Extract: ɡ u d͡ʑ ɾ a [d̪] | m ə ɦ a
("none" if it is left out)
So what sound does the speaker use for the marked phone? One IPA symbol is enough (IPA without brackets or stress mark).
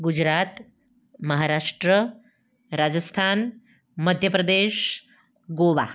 t̪